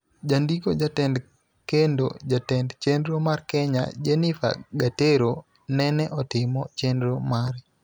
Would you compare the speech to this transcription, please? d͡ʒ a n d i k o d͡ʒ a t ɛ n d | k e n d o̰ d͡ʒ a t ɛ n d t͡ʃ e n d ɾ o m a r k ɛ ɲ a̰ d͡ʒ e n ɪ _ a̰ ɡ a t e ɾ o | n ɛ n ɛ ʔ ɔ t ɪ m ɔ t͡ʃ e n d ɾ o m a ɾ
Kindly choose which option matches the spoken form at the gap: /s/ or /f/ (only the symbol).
f